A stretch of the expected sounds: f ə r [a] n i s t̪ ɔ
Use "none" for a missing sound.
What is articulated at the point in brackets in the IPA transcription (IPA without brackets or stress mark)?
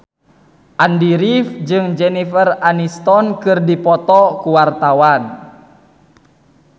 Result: a